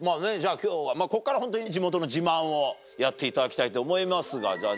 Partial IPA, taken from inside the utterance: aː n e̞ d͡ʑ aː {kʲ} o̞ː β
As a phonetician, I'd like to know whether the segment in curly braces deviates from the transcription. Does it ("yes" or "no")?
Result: no